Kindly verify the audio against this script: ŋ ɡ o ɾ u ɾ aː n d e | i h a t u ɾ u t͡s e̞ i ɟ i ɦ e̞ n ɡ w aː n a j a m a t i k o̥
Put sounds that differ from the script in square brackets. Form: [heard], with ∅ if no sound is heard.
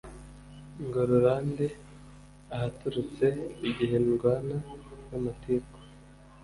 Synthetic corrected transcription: ŋ ɡ o ɾ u ɾ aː n d e | [a] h a t u ɾ u t͡s e̞ i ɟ i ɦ e̞ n ɡ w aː n a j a m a t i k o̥